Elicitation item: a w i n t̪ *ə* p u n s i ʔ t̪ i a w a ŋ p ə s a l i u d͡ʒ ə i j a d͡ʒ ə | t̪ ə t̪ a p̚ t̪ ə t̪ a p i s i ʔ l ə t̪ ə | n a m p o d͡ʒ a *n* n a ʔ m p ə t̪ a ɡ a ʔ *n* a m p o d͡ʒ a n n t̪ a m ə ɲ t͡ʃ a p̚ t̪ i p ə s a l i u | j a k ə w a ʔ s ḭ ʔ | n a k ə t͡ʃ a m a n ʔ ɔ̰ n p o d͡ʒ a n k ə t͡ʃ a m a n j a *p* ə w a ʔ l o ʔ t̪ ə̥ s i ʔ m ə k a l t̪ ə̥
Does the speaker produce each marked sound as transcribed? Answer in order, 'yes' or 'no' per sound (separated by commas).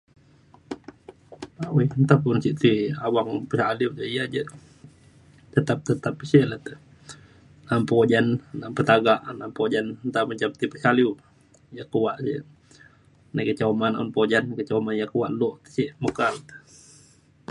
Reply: no, yes, yes, no